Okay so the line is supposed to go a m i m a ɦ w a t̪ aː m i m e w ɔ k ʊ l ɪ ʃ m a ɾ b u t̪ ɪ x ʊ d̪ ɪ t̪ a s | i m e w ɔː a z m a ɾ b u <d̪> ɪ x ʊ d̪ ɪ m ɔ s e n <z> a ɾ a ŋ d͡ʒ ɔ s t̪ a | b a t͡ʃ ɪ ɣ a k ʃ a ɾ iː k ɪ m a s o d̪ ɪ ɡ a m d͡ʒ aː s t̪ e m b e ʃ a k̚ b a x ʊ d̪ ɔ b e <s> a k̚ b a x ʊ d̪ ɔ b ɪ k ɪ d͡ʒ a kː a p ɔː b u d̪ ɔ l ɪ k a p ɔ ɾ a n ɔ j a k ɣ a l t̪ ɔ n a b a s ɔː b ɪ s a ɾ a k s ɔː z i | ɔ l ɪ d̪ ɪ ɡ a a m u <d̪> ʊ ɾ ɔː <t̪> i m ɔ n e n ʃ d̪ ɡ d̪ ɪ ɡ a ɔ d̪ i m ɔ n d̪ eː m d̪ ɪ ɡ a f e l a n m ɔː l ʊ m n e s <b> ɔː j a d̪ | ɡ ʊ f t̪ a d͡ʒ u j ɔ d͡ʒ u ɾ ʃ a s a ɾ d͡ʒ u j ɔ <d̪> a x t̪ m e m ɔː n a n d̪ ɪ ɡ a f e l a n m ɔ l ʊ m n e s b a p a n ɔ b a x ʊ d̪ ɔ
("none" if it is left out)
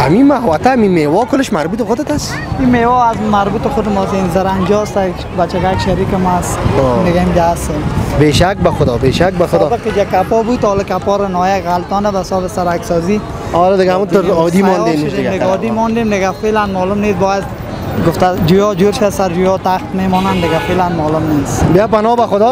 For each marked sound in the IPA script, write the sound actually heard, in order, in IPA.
t̪, z, ʃ, t̪, d̪, b, t̪

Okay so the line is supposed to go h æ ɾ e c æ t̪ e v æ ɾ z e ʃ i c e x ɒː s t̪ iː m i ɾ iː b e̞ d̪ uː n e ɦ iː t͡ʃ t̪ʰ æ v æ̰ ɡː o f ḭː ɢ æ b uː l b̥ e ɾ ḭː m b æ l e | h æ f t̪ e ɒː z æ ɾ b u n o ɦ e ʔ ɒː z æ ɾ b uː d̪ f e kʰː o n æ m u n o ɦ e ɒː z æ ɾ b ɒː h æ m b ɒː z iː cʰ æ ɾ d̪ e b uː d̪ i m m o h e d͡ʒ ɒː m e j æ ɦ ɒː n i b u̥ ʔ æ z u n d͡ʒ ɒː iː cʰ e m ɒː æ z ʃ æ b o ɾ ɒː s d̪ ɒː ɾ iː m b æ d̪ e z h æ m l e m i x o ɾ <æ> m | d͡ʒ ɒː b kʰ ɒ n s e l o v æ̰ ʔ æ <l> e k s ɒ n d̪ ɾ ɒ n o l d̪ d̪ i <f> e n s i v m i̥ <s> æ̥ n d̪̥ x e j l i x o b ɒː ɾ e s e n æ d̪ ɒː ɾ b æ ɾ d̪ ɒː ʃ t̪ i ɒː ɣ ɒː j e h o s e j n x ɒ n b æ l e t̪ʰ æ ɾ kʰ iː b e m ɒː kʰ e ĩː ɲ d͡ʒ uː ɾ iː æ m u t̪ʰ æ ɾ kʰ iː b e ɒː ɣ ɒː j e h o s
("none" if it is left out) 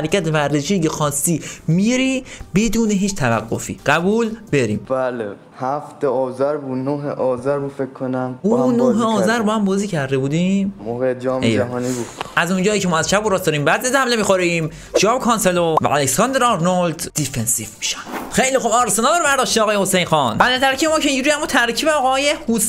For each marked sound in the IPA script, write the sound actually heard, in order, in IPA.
i, l, f, ʃ

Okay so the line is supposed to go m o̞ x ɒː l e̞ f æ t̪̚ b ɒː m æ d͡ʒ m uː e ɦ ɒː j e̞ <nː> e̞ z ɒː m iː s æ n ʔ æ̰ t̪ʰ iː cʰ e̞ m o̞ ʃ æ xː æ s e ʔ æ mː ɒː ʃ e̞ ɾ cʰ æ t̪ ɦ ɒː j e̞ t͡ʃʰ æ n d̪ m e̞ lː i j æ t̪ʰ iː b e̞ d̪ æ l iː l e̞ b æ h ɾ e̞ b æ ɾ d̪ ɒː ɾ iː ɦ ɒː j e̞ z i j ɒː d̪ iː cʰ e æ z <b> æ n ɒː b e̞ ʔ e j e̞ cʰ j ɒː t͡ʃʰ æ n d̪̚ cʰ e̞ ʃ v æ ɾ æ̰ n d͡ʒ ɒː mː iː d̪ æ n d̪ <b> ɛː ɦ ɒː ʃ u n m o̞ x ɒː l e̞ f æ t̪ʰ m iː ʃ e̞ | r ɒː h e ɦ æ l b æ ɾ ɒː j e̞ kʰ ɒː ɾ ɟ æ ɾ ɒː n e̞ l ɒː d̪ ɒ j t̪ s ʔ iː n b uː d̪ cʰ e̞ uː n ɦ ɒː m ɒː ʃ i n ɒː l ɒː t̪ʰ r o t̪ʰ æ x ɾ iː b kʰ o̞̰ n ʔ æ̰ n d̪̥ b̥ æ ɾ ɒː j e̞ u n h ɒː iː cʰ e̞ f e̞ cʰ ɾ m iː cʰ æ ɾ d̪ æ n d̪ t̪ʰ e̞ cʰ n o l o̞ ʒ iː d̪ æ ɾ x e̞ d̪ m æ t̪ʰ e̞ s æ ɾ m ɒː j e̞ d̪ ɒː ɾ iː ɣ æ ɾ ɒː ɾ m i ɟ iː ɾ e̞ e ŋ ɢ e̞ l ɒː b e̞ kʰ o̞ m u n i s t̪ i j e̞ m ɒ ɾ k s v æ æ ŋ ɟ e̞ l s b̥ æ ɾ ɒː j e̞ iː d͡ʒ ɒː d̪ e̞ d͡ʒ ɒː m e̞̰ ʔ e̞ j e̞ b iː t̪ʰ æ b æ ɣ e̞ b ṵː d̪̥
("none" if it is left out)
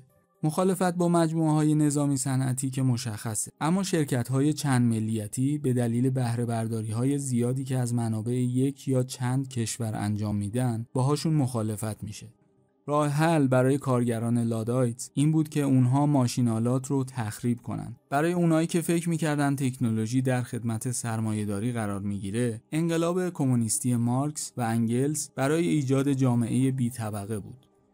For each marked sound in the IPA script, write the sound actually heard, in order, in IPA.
n, m, b

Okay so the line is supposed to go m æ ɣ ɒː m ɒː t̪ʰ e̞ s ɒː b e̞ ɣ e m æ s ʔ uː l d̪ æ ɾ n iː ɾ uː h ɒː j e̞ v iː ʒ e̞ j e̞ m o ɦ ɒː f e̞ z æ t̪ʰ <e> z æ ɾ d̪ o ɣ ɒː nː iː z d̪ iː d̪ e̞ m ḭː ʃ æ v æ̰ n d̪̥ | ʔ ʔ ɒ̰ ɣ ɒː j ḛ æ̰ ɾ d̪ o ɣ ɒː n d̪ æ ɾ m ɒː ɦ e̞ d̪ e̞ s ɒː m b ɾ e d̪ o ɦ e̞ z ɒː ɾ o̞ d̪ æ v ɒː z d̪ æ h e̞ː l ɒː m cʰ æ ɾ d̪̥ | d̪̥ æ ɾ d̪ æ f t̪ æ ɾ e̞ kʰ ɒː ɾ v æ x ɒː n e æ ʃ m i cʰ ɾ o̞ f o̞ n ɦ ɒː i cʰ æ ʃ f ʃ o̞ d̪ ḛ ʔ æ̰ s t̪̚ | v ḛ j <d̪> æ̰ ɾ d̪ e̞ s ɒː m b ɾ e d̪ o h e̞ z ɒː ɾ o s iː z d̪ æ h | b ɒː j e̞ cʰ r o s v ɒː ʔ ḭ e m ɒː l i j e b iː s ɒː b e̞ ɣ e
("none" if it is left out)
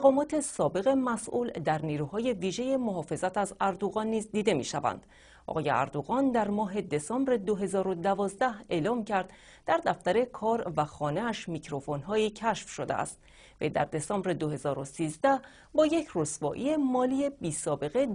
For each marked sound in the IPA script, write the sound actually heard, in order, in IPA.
æ, d̪

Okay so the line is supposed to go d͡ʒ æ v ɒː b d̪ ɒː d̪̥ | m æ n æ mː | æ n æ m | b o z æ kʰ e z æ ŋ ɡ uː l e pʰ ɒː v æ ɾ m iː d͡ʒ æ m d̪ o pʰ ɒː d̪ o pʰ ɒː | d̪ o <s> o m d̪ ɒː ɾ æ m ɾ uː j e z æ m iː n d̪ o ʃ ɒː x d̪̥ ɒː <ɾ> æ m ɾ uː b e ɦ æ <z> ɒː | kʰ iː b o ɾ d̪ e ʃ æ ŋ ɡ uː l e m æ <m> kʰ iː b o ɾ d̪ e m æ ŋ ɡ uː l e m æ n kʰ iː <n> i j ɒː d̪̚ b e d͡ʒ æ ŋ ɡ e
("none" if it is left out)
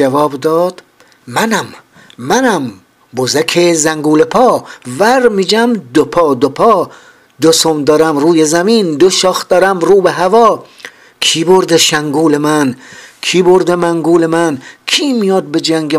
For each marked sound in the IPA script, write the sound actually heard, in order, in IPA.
s, ɾ, v, n, m

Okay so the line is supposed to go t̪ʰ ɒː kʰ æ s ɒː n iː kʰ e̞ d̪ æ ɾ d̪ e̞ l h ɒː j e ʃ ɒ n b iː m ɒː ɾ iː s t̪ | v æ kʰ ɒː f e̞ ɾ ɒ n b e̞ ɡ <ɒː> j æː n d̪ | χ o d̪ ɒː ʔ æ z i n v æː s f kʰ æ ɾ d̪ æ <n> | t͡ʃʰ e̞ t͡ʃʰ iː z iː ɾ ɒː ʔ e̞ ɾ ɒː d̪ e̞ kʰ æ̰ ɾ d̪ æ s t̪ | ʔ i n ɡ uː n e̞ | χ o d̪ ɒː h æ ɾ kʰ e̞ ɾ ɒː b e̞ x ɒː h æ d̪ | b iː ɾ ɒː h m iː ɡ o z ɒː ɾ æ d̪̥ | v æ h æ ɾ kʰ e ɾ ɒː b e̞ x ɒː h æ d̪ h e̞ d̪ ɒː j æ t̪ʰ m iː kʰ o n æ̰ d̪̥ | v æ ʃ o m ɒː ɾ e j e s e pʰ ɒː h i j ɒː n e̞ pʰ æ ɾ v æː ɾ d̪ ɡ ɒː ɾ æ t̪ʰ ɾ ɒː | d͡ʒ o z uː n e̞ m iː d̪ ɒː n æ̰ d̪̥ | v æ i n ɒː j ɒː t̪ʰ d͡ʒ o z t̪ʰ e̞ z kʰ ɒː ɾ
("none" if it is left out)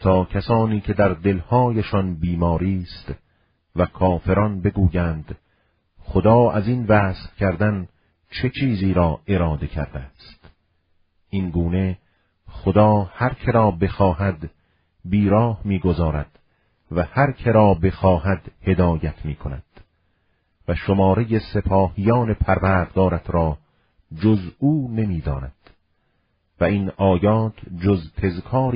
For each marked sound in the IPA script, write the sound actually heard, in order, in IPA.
uː, n

